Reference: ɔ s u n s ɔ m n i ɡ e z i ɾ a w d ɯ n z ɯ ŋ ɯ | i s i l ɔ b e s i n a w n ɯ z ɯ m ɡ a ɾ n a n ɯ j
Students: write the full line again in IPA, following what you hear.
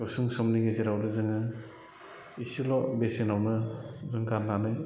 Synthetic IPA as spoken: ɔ s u ŋ s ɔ m n i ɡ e z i ɾ a w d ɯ z ɯ ŋ ɯ | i s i l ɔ b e s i n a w n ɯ z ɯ ŋ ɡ a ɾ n a n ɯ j